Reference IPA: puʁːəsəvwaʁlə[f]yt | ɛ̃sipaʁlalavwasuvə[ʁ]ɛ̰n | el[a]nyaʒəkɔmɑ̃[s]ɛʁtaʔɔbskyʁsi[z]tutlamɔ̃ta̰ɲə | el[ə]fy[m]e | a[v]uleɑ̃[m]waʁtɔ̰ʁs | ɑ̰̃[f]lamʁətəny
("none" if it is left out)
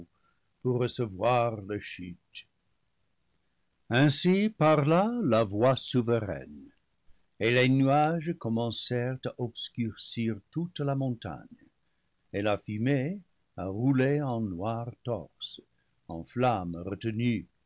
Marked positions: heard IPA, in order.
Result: ʃ, ʁ, e, s, ʁ, a, m, ʁ, n, f

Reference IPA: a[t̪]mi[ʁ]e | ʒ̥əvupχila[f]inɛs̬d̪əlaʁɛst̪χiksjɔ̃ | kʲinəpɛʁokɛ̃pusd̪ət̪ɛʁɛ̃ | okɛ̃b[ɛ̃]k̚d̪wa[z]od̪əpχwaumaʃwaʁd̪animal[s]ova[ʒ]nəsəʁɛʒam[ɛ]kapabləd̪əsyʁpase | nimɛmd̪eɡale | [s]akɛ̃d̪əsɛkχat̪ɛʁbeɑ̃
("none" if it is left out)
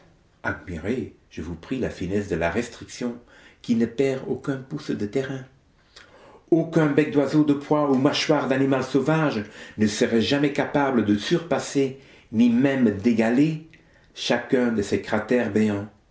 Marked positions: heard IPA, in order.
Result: d̪, ʁ, f, ɛ, z, s, ʒ, ɛ, ʃ

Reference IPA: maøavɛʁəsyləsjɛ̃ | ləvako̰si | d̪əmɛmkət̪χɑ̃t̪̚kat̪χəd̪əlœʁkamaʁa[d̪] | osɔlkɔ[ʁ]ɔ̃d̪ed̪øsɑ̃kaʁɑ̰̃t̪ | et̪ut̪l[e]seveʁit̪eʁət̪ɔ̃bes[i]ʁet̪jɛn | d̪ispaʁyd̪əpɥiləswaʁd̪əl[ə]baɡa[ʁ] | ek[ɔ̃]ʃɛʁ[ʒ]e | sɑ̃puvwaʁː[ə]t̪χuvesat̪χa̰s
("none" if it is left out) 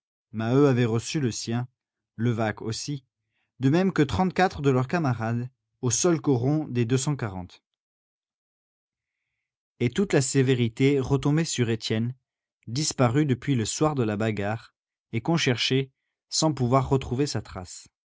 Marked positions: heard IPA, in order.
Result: d̪, ʁ, a, y, a, ʁ, ɔ̃, ʃ, ə

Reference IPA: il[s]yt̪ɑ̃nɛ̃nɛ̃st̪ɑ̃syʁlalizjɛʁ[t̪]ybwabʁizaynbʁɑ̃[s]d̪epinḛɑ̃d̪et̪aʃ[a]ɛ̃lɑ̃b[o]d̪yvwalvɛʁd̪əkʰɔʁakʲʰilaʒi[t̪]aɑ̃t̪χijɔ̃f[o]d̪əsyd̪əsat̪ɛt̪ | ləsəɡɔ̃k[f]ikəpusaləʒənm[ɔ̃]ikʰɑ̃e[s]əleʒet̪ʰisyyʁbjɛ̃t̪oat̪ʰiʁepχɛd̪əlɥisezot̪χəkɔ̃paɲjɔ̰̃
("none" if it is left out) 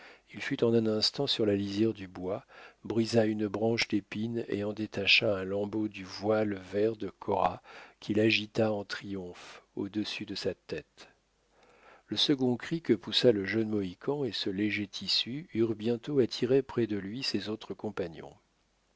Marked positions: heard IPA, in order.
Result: f, d̪, ʃ, a, o, t̪, o, χ, ɔ, s

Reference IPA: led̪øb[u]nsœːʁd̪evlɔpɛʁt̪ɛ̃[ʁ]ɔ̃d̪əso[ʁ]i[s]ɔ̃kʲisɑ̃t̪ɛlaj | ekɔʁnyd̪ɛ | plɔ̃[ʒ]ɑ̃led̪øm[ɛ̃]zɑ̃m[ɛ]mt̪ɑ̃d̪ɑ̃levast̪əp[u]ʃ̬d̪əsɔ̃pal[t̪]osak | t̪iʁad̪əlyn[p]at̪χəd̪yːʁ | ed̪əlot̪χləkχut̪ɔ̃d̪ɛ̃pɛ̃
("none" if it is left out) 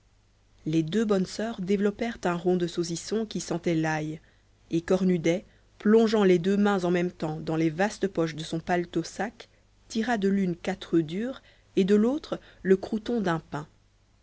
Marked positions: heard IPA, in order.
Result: ɔ, ʁ, z, s, ʒ, ɛ̃, ɛ, ɔ, t̪, k

